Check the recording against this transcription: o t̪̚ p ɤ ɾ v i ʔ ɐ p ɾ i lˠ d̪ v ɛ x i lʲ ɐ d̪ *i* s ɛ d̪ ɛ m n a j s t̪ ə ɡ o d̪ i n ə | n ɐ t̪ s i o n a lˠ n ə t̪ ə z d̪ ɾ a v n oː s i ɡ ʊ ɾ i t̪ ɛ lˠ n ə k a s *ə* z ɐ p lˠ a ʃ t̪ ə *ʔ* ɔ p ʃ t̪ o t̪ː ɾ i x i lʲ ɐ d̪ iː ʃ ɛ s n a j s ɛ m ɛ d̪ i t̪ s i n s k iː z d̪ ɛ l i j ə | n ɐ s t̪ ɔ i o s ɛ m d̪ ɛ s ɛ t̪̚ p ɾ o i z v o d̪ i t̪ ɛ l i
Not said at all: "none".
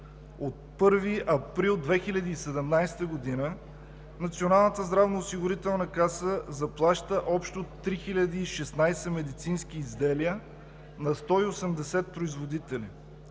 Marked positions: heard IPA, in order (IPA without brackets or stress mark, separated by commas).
iː, ə, ʔ